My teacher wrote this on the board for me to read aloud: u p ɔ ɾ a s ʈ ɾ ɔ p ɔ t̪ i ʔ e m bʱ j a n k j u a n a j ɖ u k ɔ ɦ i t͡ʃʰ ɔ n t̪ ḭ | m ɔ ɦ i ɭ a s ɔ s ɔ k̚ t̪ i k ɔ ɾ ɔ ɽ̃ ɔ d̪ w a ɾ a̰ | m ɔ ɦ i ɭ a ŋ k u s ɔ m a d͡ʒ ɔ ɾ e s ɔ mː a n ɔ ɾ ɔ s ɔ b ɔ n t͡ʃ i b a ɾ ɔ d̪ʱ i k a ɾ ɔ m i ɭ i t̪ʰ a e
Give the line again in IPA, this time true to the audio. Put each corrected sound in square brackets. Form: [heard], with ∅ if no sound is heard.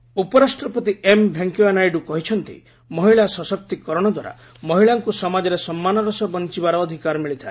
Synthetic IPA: u p ɔ ɾ a s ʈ ɾ ɔ p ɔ t̪ i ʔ e m bʱ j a [ŋ] k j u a n a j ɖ u k ɔ ɦ i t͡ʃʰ ɔ n t̪ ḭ | m ɔ ɦ i ɭ a s ɔ s ɔ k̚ t̪ i k ɔ ɾ ɔ ɽ̃ ɔ d̪ w a ɾ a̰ | m ɔ ɦ i ɭ a ŋ k u s ɔ m a d͡ʒ ɔ ɾ e s ɔ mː a n ɔ ɾ ɔ s ɔ b ɔ n t͡ʃ i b a ɾ [ɔː] d̪ʱ i k a ɾ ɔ m i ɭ i t̪ʰ a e